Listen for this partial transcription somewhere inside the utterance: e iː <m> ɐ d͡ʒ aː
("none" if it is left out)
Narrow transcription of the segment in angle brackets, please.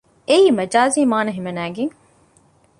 m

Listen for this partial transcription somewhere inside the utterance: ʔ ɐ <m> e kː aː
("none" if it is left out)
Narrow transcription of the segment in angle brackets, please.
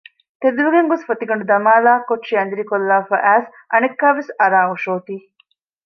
n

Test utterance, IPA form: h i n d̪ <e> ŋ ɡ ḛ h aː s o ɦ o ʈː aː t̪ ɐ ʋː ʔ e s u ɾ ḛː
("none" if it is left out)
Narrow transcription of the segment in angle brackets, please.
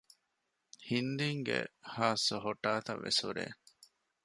i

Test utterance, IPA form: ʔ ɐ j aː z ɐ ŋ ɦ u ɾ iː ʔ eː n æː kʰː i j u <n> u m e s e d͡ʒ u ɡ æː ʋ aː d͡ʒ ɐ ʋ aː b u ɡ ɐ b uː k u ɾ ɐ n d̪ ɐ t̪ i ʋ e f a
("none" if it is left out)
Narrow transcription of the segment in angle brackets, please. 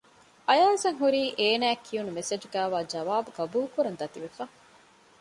n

